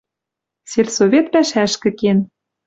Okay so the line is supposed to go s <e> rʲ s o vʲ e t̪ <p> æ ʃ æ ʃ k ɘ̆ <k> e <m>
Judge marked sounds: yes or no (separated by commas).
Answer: yes, yes, yes, no